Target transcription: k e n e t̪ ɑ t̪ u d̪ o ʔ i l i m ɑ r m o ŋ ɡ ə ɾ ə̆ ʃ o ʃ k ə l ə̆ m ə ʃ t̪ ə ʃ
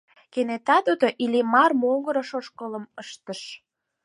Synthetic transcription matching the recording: k e n e t̪ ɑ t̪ u d̪ o ʔ i l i m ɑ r m o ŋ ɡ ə ɾ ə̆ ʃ o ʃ k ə l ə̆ m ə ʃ t̪ ə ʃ

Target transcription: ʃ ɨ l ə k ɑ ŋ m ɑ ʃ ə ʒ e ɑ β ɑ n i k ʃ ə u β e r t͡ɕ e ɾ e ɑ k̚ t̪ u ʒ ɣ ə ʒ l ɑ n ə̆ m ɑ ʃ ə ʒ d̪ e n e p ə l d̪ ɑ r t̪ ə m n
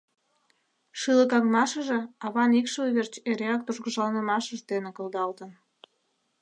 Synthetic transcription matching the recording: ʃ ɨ l ə k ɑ ŋ m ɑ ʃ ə ʒ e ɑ β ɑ n i k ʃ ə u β e r t͡ɕ e ɾ e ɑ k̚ t̪ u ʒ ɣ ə ʒ l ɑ n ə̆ m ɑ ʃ ə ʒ d̪ e n e k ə l d̪ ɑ l t̪ ə n

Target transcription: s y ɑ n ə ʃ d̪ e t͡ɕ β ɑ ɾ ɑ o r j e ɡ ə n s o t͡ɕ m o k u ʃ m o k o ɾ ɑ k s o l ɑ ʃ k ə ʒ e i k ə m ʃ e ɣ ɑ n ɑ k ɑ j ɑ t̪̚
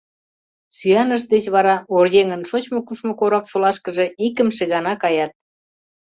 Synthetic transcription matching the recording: s y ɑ n ə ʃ d̪ e t͡ɕ β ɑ ɾ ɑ o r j e ŋ ə n ʃ o t͡ɕ m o k u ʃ m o k o ɾ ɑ k s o l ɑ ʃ k ə ʒ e i k ə m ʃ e ɣ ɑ n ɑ k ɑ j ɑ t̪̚

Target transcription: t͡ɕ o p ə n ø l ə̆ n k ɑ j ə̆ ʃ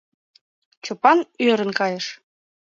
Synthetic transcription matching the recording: t͡ɕ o p ɑ n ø ɾ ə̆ n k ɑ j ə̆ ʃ

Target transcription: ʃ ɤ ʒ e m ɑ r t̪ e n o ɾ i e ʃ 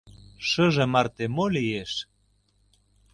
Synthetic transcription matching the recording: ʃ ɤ ʒ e m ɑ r t̪ e m o l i e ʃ

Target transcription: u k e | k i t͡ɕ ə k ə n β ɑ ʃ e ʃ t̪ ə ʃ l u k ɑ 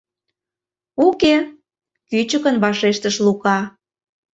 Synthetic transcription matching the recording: u k e | k y t͡ɕ ə k ə n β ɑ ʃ e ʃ t̪ ə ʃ l u k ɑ

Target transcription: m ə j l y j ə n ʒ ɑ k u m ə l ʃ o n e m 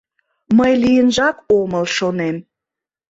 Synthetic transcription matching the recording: m ə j l i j ə n ʒ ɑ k o m ə l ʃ o n e m

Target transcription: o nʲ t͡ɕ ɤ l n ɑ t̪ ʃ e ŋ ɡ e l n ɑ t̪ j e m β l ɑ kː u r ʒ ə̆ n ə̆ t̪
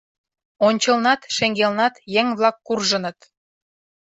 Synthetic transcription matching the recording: o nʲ t͡ɕ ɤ l n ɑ t̪ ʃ e ŋ ɡ e l n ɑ t̪ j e ŋ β l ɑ kː u r ʒ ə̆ n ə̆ t̪

